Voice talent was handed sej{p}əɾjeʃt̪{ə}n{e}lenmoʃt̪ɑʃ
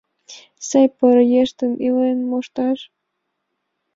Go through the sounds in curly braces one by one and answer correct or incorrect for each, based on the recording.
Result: correct, correct, incorrect: i

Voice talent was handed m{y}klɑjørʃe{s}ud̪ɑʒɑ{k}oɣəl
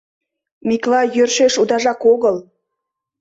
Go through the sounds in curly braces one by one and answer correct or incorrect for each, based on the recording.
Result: incorrect: i, incorrect: ʃ, correct

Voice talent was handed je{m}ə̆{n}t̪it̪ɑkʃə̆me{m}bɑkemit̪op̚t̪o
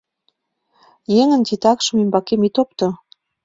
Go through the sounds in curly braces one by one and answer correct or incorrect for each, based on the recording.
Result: incorrect: ŋ, correct, correct

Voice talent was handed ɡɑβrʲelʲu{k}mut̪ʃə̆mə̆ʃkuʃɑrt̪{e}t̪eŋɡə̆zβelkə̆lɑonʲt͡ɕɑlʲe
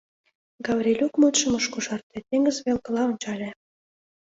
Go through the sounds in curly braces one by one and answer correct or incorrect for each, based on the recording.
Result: correct, correct

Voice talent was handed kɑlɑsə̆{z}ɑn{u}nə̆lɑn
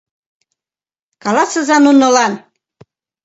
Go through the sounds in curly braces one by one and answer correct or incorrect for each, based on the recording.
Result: correct, correct

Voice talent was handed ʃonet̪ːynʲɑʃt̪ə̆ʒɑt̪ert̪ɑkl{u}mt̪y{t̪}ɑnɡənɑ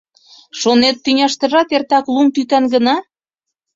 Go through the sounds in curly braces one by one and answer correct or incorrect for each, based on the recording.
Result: correct, correct

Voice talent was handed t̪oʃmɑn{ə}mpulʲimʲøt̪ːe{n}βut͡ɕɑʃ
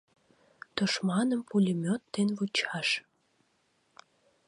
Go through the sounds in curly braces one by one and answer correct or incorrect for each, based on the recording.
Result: correct, correct

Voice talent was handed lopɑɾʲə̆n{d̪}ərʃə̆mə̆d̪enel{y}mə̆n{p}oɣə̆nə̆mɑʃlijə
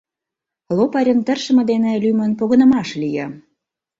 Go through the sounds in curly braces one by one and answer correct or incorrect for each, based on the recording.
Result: incorrect: t̪, correct, correct

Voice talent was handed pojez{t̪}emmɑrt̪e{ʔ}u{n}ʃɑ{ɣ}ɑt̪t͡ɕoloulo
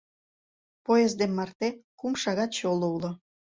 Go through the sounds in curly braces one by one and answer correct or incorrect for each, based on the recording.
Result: incorrect: d̪, incorrect: k, incorrect: m, correct

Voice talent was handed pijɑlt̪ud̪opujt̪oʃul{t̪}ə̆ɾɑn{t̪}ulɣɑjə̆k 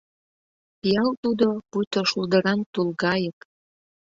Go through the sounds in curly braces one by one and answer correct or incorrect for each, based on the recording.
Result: incorrect: d̪, correct

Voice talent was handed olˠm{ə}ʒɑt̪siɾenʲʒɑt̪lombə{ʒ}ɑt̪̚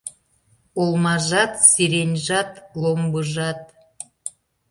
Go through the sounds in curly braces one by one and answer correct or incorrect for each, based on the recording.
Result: incorrect: ɑ, correct

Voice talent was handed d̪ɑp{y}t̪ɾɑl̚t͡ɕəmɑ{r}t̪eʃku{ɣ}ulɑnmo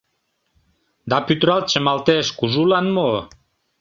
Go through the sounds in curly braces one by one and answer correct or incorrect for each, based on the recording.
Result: correct, incorrect: l, incorrect: ʒ

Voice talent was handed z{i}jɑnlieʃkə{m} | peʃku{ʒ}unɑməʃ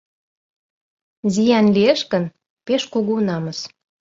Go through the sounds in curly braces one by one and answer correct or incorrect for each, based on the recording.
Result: correct, incorrect: n, incorrect: ɣ

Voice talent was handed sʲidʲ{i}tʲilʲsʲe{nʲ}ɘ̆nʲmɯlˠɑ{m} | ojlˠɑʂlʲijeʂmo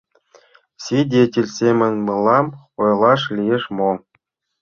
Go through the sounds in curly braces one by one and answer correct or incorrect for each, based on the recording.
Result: incorrect: e, incorrect: mʲ, correct

